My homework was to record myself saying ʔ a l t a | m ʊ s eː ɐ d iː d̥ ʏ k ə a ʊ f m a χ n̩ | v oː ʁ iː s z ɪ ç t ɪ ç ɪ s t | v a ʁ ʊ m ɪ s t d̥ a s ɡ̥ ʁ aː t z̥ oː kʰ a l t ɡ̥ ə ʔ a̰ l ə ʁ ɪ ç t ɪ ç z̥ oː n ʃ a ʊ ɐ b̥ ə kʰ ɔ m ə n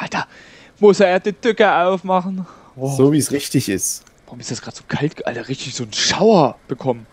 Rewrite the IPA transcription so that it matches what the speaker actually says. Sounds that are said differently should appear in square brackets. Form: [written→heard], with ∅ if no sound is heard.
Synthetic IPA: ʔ a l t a | m ʊ s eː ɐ d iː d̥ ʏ k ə a ʊ f m a χ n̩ | [v→z] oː [ʁ→v] iː s [z→ʁ] ɪ ç t ɪ ç ɪ s t | v a ʁ ʊ m ɪ s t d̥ a s ɡ̥ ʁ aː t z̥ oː kʰ a l t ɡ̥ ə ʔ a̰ l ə ʁ ɪ ç t ɪ ç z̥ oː n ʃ a ʊ ɐ b̥ ə kʰ ɔ m ə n

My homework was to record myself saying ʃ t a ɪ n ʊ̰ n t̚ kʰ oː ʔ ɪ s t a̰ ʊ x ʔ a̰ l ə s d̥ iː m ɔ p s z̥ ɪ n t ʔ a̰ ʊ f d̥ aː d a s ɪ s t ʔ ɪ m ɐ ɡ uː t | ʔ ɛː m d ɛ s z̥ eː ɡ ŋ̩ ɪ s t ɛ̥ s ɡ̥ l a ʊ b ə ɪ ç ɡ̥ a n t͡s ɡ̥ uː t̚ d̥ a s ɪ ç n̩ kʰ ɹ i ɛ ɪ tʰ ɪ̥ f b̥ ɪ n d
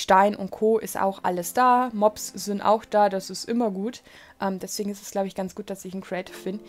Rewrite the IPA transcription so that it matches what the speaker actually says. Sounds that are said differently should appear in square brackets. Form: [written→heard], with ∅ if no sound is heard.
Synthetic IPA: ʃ t a ɪ n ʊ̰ n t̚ kʰ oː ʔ ɪ s t a̰ ʊ x ʔ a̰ l ə s d̥ [iː→aː] m ɔ p s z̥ ɪ n t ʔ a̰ ʊ [f→x] d̥ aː d a s ɪ s t ʔ ɪ m ɐ ɡ uː t | ʔ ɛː m d ɛ s [z̥→v̥] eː ɡ ŋ̩ ɪ s t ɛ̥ s ɡ̥ l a ʊ b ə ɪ ç ɡ̥ a n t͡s ɡ̥ uː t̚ d̥ a s ɪ ç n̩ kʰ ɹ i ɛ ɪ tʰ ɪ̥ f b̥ ɪ n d

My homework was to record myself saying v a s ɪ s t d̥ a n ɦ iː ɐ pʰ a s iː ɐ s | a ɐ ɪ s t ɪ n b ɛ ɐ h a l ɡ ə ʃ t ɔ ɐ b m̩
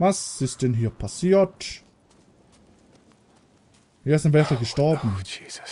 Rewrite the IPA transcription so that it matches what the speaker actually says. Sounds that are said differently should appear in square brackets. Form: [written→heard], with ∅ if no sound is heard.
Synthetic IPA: v a s ɪ s t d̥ [a→ɛ] n ɦ iː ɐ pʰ a s iː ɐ [s→t] | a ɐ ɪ s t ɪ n [b→v] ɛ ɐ [h→f] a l ɡ ə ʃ t ɔ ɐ b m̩

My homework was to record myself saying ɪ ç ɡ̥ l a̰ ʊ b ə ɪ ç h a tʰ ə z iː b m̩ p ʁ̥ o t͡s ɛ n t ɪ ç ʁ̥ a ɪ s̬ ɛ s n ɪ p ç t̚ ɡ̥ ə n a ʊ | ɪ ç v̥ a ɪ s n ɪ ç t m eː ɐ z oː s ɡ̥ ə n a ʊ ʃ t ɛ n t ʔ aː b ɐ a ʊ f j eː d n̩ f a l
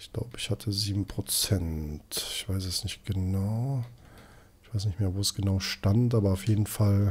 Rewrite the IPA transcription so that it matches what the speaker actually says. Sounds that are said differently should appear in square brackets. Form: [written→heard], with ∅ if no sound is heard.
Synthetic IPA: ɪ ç ɡ̥ l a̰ ʊ b ə ɪ ç h a tʰ ə z iː b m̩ p ʁ̥ o t͡s ɛ n t ɪ ç [ʁ̥→v̥] a ɪ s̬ ɛ s n ɪ [p→∅] ç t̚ ɡ̥ ə n a ʊ | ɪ ç v̥ a ɪ s n ɪ ç t m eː ɐ [z→v] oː s ɡ̥ ə n a ʊ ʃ t [ɛ→a] n t ʔ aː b ɐ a ʊ f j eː d n̩ f a l

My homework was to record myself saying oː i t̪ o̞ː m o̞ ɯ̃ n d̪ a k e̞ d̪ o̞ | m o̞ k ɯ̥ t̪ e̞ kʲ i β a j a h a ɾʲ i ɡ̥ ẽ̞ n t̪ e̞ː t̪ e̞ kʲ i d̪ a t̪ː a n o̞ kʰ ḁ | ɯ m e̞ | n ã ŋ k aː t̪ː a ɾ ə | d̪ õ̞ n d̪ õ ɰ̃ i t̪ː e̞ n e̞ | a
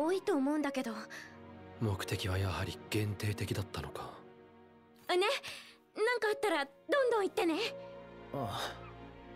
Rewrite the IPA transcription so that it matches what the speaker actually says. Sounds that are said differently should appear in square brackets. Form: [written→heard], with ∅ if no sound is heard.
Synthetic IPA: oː i t̪ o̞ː m o̞ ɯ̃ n d̪ a k e̞ d̪ o̞ | m o̞ k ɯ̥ t̪ e̞ kʲ i β a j a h a ɾʲ i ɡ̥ ẽ̞ n t̪ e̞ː t̪ e̞ kʲ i d̪ a t̪ː a n o̞ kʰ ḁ | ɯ [m→n] e̞ | n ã ŋ k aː t̪ː a ɾ [ə→a] | d̪ õ̞ n d̪ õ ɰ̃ i t̪ː e̞ n e̞ | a

